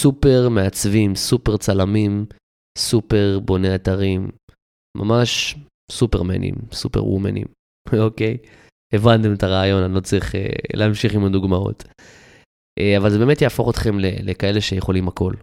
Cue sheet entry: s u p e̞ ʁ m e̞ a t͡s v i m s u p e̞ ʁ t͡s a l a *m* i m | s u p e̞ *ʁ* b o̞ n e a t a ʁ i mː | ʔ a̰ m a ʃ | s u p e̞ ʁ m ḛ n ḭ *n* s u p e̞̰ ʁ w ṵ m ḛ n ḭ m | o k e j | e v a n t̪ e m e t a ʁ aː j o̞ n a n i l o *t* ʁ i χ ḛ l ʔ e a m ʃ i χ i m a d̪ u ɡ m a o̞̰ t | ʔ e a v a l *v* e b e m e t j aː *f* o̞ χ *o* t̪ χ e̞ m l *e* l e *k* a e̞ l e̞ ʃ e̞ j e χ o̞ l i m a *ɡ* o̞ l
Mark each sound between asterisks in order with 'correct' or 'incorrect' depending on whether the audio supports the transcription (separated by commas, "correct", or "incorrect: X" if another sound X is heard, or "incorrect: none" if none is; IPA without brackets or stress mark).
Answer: correct, correct, incorrect: m, incorrect: t͡s, incorrect: z, correct, correct, correct, correct, incorrect: k